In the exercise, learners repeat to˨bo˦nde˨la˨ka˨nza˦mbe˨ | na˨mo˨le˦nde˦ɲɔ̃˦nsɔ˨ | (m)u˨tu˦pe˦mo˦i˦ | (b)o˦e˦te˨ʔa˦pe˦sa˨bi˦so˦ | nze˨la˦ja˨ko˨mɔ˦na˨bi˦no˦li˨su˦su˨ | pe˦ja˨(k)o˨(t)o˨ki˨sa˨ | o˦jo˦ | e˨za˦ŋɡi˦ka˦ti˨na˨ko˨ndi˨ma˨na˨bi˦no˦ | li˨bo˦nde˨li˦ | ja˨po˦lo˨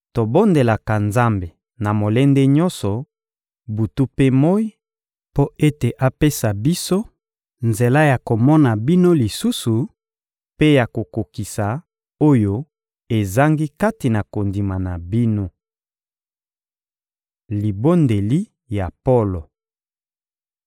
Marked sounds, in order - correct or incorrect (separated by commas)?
incorrect, incorrect, correct, incorrect